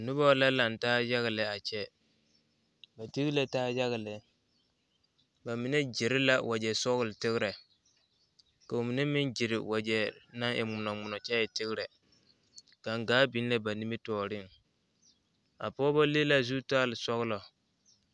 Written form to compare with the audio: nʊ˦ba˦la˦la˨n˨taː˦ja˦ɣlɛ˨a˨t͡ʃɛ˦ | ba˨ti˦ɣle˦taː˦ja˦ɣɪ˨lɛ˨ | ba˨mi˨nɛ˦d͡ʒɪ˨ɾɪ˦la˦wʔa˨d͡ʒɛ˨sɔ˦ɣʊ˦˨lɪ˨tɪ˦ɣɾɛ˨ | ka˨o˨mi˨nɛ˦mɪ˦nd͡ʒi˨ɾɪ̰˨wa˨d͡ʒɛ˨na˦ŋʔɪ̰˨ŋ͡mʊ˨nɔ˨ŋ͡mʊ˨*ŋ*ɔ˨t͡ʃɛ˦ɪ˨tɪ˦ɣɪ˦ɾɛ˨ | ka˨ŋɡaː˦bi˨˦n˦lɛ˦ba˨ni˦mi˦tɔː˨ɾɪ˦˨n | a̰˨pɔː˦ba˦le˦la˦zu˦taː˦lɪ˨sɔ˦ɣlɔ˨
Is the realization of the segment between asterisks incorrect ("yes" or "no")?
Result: yes